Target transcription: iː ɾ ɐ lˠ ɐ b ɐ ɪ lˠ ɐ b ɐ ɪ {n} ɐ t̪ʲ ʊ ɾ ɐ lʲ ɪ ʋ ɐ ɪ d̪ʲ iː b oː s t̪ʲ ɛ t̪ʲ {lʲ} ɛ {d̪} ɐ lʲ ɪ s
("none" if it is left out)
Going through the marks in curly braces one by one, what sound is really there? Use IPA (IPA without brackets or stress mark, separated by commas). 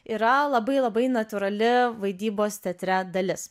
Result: n, ɾʲ, d̪